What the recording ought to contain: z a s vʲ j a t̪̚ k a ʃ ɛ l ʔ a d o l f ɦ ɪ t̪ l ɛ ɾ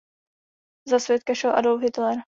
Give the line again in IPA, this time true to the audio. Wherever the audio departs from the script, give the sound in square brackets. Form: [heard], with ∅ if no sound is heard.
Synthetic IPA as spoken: z a s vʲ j [ɛ] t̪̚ k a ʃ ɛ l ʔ a d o l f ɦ ɪ t̪ l ɛ ɾ